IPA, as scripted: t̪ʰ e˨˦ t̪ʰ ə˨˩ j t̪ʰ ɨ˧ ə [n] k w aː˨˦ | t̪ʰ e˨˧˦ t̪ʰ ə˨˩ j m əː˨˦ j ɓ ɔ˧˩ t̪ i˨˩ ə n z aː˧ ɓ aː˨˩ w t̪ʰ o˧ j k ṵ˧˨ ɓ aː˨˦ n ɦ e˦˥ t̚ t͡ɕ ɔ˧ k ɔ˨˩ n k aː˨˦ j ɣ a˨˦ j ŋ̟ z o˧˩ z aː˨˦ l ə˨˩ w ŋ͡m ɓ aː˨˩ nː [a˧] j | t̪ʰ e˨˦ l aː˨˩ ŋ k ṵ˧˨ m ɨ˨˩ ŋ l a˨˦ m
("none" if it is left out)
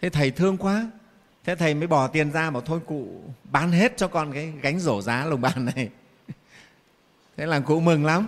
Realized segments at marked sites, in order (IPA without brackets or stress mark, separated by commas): ŋ, a˨˩